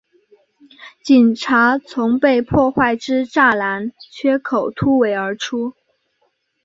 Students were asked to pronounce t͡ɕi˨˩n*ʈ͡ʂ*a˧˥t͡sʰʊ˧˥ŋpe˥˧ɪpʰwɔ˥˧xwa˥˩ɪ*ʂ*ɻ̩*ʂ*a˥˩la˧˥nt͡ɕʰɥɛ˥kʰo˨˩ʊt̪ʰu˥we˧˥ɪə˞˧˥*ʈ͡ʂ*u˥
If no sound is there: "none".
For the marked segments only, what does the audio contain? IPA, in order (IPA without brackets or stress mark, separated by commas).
ʈ͡ʂʰ, ʈ͡ʂ, ʈ͡ʂ, ʈ͡ʂʰ